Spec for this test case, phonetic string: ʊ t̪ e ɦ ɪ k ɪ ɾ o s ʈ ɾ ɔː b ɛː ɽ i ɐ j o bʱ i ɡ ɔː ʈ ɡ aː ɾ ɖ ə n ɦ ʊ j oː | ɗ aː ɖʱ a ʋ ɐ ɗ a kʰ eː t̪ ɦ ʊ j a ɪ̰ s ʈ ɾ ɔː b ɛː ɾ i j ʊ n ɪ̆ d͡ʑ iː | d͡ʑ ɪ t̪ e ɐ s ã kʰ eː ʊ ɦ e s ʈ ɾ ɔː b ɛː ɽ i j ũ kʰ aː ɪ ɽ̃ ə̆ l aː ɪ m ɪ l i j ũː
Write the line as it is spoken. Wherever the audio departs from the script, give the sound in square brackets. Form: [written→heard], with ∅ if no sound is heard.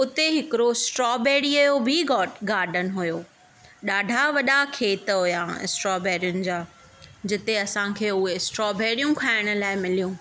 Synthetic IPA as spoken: ʊ t̪ e ɦ ɪ k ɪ ɾ o s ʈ ɾ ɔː b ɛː ɽ i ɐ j o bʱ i ɡ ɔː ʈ ɡ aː ɾ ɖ ə n ɦ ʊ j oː | ɗ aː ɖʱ a ʋ ɐ ɗ a kʰ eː t̪ ɦ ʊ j a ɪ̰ s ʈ ɾ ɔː b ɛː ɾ i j ʊ n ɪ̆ d͡ʑ [iː→aː] | d͡ʑ ɪ t̪ e ɐ s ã kʰ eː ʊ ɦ e s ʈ ɾ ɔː b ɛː ɽ i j ũ kʰ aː ɪ ɽ̃ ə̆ l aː ɪ m ɪ l i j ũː